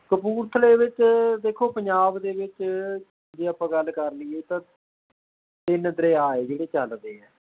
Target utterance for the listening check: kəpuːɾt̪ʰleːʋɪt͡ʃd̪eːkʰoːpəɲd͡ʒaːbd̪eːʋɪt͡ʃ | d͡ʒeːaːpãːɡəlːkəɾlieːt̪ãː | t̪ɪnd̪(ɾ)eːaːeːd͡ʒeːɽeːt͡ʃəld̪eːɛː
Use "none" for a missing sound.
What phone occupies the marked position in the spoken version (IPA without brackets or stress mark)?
ɾ